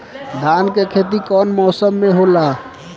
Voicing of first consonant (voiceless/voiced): voiced